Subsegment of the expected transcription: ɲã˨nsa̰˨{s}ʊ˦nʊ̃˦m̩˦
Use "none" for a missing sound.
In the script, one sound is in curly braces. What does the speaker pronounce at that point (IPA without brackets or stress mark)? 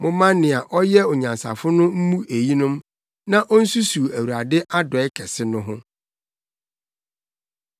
f